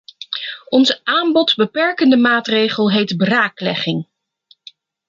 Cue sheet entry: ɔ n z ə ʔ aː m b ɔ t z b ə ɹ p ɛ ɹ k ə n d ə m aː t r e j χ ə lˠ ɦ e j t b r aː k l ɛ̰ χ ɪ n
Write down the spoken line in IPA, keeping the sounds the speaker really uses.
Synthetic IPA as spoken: ɔ n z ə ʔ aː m b ɔ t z b ə p ɛ ɹ k ə n d ə m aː t r e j χ ə lˠ ɦ e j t b r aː k l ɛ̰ χ ɪ ŋ